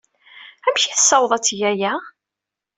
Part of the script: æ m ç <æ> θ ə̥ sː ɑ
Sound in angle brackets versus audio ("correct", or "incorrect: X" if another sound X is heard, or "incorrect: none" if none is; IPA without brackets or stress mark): incorrect: i